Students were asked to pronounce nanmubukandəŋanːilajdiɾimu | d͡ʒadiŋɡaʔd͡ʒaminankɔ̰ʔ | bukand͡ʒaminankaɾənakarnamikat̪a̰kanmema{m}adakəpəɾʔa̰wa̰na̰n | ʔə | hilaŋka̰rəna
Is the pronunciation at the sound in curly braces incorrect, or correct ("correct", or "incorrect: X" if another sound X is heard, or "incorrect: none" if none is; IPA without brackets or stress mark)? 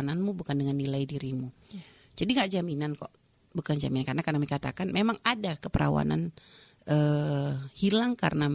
incorrect: ŋ